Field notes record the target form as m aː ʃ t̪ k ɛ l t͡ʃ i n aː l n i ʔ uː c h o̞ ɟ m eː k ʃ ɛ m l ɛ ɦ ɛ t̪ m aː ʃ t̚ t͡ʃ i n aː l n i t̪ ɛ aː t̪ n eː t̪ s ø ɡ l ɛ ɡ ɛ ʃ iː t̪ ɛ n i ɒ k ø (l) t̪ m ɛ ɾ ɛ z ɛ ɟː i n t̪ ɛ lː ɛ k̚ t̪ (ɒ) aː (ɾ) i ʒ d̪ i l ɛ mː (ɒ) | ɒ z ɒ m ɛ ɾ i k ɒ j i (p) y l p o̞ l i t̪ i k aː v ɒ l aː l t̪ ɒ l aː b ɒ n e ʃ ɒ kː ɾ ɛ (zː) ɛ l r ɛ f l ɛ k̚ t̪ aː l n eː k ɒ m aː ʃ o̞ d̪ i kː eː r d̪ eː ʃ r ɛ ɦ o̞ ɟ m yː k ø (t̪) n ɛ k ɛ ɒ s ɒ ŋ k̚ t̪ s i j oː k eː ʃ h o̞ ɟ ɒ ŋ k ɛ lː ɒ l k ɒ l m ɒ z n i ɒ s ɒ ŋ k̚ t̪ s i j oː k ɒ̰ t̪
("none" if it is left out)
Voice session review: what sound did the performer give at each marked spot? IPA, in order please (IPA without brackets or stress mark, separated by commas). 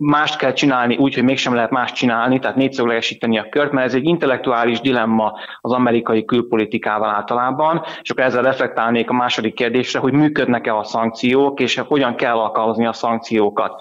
r, u, l, ɒ, k, zː, d̪